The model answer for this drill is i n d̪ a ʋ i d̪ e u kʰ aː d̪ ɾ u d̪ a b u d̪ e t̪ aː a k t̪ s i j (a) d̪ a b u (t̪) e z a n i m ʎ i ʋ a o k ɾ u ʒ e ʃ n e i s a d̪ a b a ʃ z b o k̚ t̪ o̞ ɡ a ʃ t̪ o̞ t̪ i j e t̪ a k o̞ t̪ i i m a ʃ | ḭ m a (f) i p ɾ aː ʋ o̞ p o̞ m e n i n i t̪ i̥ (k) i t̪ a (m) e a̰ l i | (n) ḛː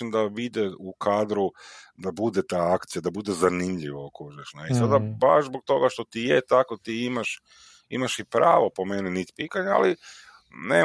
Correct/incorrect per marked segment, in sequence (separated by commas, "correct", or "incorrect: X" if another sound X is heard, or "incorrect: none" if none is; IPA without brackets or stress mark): correct, incorrect: d̪, incorrect: ʃ, incorrect: p, incorrect: ɲ, correct